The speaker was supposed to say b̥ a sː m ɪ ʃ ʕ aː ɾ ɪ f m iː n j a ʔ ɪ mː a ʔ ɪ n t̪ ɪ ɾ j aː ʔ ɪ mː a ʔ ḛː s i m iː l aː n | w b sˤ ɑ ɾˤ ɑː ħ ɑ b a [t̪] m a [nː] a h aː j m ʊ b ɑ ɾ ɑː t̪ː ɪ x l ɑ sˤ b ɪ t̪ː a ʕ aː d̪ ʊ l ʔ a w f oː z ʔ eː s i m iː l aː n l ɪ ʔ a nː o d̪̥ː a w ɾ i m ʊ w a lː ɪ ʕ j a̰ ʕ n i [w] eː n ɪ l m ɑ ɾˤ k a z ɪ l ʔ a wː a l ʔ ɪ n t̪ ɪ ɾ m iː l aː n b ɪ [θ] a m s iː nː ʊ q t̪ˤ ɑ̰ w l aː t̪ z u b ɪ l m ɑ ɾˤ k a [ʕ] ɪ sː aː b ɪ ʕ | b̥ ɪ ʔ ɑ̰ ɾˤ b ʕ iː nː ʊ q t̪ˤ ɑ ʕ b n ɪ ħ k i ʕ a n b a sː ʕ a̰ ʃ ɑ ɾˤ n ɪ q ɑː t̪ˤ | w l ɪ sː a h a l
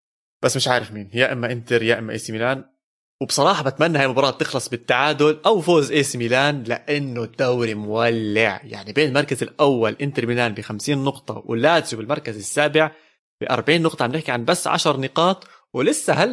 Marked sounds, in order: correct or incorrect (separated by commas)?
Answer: correct, correct, incorrect, incorrect, incorrect